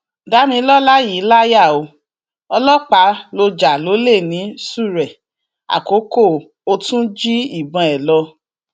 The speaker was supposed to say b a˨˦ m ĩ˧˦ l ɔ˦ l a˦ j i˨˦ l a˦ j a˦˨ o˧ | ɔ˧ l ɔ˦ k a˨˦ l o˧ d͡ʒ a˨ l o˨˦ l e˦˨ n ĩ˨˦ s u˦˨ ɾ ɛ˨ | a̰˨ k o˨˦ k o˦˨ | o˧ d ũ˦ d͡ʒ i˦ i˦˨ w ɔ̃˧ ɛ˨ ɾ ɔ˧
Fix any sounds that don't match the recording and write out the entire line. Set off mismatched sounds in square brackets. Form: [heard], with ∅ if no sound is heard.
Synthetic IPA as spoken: [d] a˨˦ m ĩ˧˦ l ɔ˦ l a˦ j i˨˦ l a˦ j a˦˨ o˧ | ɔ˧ l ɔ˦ [k͡p] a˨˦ l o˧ d͡ʒ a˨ l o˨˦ l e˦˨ n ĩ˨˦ s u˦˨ ɾ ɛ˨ | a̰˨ k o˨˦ k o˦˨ | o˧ [t] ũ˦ d͡ʒ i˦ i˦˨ [b] ɔ̃˧ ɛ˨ [l] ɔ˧